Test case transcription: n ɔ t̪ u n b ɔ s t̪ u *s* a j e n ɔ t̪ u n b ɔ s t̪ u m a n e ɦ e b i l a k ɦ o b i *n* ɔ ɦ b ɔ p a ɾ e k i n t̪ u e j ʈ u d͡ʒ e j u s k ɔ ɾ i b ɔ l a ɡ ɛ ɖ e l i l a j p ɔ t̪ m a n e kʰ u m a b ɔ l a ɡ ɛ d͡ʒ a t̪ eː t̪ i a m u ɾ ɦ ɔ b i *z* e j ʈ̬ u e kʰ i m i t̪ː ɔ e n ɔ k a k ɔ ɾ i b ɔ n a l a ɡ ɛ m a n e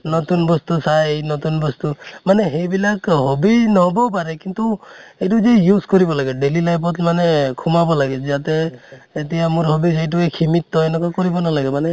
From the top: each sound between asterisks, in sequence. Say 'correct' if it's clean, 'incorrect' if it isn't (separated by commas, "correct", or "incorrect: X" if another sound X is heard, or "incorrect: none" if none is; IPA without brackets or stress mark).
correct, correct, incorrect: s